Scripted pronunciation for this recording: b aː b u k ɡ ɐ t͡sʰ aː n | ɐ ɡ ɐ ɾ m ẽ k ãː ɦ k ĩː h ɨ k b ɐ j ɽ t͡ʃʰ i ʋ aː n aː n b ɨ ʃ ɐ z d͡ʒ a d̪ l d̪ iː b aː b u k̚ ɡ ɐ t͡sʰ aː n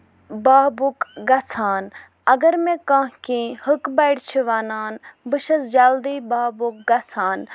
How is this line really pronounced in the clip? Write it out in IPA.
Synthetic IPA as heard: b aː b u k ɡ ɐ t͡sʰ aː n | ɐ ɡ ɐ ɾ m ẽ k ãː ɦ k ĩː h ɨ k b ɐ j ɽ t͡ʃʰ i ʋ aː n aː n b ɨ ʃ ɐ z d͡ʒ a l d̪ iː b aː b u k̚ ɡ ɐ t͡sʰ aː n